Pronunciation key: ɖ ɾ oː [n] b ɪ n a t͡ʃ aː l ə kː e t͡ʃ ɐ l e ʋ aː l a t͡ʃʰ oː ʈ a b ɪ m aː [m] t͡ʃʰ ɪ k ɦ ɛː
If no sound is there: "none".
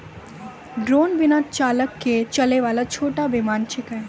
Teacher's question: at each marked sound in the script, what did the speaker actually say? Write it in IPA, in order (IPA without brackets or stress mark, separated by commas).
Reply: n, n